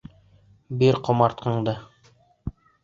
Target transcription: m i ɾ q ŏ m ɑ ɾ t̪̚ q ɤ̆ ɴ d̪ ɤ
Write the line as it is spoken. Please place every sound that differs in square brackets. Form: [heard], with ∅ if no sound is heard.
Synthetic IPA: [b] i ɾ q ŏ m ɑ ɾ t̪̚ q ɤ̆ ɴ d̪ ɤ